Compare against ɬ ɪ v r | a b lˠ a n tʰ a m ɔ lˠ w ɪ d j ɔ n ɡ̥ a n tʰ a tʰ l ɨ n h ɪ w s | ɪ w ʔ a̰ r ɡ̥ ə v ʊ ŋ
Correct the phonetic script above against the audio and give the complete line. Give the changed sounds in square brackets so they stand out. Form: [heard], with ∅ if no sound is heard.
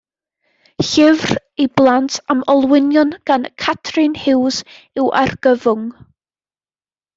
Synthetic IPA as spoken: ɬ ɪ v r | [i] b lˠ a n tʰ a m ɔ lˠ w ɪ [n] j ɔ n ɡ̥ a n [kʰ] a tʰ [r] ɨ n h ɪ w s | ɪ w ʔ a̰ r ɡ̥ ə v ʊ ŋ

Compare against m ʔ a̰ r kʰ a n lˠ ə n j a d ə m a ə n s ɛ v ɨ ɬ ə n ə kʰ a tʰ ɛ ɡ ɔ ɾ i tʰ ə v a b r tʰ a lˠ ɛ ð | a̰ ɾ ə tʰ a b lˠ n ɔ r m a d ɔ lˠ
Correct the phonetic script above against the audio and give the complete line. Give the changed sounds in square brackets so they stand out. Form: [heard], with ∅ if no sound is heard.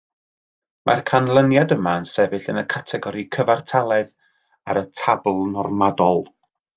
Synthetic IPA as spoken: m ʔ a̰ r kʰ a n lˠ ə n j a d ə m a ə n s ɛ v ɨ ɬ ə n ə kʰ a tʰ ɛ ɡ ɔ ɾ i [kʰ] ə v a [∅] r tʰ a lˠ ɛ ð | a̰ ɾ ə tʰ a b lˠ n ɔ r m a d ɔ lˠ

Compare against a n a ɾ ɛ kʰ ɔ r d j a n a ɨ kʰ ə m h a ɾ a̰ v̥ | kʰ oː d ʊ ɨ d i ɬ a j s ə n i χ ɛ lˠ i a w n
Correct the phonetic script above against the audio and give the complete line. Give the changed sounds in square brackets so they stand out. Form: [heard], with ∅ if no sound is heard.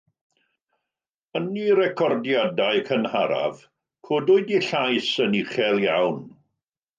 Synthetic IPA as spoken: [ə] n [i] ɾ ɛ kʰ ɔ r d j a [d] a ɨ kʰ ə [n] h a ɾ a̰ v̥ | kʰ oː d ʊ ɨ d i ɬ a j s ə n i χ ɛ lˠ [j] a w n

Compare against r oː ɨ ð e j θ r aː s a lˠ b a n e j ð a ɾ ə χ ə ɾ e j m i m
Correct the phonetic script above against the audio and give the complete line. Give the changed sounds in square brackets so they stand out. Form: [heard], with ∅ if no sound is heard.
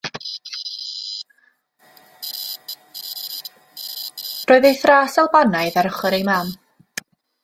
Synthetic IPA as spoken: r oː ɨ ð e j θ r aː s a lˠ b a n [a] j ð a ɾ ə χ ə ɾ e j m [a] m

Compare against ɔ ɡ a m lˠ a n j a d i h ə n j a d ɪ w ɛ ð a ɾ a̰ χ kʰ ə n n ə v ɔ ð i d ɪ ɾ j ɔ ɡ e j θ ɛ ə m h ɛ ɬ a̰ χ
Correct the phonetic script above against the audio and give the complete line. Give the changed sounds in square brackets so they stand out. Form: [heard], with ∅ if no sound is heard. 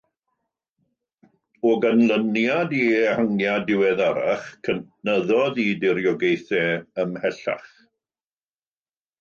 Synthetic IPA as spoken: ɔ ɡ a [n] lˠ [ə] n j a d i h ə [ŋ] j a d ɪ w ɛ ð a ɾ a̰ χ kʰ ə n n ə [ð] ɔ ð i d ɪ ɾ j ɔ ɡ e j θ ɛ ə m h ɛ ɬ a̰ χ

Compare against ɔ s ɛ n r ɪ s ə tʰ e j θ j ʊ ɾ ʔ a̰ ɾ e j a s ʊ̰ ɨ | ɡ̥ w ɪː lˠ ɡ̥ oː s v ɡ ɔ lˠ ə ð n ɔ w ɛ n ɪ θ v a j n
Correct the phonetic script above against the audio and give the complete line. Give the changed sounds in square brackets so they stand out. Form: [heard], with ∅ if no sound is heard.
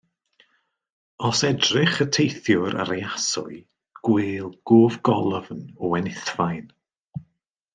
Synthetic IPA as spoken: ɔ s ɛ [d] r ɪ [χ] ə tʰ e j θ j ʊ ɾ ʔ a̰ ɾ e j a s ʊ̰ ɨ | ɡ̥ w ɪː lˠ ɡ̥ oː [∅] v ɡ ɔ lˠ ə [v] n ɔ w ɛ n ɪ θ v a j n

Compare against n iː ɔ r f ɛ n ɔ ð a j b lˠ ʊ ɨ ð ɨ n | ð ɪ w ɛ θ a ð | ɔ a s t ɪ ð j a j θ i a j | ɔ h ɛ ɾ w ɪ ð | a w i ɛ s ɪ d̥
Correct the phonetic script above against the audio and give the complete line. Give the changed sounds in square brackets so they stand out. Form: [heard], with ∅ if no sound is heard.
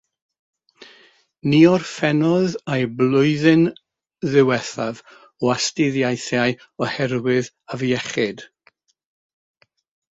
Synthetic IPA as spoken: n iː ɔ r f ɛ n ɔ ð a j b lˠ ʊ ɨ ð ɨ n | ð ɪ w ɛ θ a [v] | ɔ a s t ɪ ð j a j θ [j] a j | ɔ h ɛ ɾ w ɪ ð | a [v] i ɛ [χ] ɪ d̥

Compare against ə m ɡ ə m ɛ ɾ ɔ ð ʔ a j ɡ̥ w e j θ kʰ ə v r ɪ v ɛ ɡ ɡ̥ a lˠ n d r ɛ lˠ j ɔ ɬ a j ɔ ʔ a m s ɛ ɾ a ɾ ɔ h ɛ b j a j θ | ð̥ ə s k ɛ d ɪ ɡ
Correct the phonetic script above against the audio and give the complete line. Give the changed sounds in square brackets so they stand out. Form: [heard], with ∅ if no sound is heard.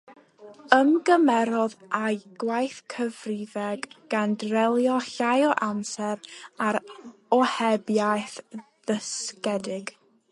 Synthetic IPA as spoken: ə m ɡ ə m ɛ ɾ ɔ ð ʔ a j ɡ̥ w [a] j θ kʰ ə v r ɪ v ɛ ɡ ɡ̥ a [∅] n d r ɛ lˠ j ɔ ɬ a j ɔ ʔ a m s ɛ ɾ a ɾ ɔ h ɛ b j a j θ | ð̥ ə s k ɛ d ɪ ɡ

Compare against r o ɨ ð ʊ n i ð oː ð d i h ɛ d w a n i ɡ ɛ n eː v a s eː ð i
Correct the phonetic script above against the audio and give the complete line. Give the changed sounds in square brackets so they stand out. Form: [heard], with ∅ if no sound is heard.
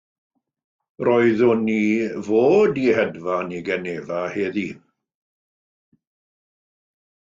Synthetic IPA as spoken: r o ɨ ð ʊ n i [v] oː [∅] d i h ɛ d [v] a n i ɡ ɛ n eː v a [h] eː ð i

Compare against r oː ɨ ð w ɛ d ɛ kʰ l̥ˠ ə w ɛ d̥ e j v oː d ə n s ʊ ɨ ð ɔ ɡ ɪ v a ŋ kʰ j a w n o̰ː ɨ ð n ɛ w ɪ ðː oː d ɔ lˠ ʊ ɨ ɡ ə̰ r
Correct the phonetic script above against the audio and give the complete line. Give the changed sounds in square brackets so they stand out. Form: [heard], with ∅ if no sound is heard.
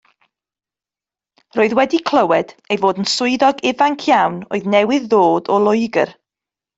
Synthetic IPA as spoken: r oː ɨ ð w ɛ d [i] kʰ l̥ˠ ə w ɛ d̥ e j v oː d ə n s ʊ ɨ ð ɔ ɡ ɪ v a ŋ kʰ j a w n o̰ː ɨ ð n ɛ w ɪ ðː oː d ɔ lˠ ʊ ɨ ɡ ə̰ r

